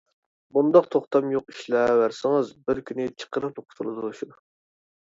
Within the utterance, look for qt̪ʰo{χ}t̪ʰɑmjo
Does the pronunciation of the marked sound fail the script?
no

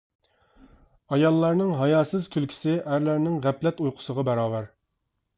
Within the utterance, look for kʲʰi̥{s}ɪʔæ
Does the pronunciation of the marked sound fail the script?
no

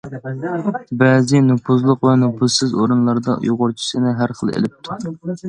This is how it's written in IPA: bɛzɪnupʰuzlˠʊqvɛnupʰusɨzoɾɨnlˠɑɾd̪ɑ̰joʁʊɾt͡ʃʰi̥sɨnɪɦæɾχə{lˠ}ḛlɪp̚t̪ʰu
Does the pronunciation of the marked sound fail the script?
no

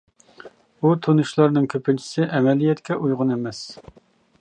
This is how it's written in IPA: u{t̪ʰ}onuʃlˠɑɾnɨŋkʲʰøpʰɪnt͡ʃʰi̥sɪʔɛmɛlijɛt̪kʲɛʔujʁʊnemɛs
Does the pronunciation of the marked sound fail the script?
no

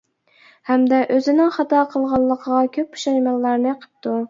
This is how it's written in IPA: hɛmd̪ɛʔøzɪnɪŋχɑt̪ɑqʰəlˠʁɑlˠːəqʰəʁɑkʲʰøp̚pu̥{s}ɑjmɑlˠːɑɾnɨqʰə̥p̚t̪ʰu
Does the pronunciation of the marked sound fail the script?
yes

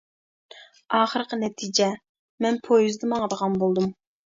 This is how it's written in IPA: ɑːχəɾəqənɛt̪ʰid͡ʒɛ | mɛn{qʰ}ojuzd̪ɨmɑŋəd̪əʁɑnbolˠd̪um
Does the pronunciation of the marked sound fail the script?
yes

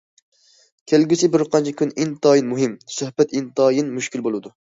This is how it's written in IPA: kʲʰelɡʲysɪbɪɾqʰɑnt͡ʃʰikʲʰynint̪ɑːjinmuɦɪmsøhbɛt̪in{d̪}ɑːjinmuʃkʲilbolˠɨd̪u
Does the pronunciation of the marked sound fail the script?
yes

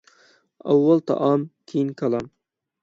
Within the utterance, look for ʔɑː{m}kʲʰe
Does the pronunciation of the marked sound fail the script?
no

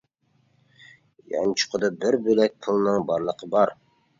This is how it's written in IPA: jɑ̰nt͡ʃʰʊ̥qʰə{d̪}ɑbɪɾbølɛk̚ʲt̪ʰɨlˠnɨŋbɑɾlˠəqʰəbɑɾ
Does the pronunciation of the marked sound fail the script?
no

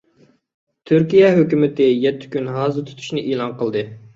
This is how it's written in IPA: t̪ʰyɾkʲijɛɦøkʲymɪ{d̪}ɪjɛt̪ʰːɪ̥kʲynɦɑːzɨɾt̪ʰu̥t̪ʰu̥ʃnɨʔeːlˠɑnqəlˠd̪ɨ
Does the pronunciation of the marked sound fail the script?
yes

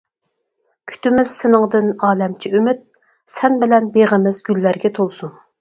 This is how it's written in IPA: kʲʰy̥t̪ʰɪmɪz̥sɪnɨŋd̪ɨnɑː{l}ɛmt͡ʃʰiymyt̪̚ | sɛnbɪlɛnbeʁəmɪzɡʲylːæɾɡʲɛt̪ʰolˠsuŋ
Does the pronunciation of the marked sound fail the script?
no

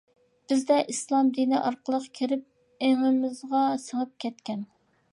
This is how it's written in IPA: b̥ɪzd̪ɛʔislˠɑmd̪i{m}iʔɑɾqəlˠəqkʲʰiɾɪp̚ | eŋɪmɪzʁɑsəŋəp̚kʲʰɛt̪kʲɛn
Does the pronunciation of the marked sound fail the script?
yes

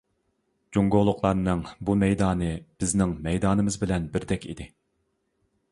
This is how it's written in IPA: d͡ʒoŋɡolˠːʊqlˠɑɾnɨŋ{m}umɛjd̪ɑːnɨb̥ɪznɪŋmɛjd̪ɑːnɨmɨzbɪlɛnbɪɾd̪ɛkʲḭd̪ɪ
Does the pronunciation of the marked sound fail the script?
yes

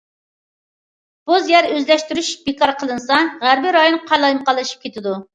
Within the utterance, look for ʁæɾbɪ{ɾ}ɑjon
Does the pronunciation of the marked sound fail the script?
no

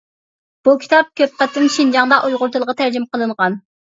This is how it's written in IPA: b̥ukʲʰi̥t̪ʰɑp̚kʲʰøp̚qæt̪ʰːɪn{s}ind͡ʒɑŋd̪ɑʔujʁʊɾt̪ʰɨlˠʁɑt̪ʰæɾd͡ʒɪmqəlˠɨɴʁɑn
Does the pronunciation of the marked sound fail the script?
yes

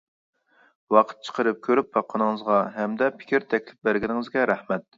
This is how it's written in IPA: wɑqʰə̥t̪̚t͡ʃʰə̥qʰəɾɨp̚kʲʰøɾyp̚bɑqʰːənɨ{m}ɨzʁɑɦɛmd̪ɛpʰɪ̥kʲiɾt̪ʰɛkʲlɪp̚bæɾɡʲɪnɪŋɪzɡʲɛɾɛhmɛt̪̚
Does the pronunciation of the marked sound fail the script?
yes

